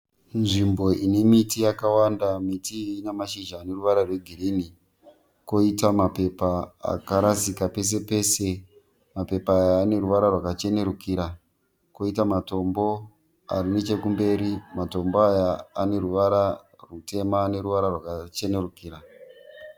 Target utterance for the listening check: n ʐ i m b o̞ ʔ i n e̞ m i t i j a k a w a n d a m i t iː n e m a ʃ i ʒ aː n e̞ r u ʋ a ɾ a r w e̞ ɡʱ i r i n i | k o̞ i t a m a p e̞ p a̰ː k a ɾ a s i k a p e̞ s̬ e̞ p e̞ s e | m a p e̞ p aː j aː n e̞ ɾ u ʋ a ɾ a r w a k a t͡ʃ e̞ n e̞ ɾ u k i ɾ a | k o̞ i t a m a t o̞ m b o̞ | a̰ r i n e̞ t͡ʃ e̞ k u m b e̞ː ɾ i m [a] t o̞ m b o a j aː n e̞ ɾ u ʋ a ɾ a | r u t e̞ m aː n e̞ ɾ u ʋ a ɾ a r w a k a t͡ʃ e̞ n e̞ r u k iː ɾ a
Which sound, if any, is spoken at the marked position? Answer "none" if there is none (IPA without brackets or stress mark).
a